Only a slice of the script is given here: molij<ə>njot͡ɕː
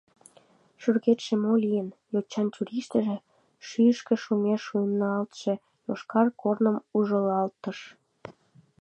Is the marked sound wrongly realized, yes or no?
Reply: no